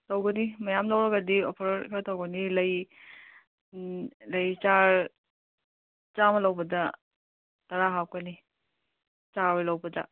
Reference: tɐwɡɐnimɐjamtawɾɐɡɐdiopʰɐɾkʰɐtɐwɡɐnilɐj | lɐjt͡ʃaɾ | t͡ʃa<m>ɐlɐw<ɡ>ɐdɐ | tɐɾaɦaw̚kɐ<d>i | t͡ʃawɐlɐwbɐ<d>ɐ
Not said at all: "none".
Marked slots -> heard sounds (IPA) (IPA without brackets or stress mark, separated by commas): m, b, n, d